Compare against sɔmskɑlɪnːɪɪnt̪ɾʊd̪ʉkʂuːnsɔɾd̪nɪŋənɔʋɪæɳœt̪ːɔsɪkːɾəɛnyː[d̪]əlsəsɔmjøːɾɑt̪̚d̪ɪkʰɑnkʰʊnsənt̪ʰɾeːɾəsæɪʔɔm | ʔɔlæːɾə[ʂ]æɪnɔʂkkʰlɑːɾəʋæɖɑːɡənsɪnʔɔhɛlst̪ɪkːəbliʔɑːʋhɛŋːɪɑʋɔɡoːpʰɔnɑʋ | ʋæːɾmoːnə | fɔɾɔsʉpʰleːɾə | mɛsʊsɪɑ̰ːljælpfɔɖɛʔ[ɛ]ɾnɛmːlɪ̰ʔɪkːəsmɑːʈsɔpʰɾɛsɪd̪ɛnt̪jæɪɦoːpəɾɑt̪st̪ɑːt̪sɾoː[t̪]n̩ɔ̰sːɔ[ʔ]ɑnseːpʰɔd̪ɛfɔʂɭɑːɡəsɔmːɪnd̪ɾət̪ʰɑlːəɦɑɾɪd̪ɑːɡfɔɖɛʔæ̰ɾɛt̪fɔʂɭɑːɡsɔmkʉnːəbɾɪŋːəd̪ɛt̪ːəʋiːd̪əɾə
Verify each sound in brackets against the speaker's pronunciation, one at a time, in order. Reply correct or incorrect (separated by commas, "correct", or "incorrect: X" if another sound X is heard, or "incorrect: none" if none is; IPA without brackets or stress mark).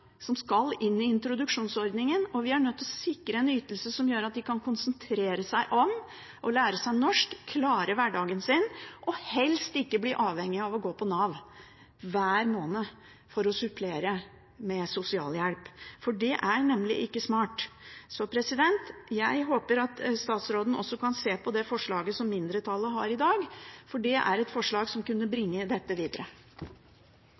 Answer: incorrect: t̪, incorrect: s, incorrect: æ, incorrect: d̪, incorrect: k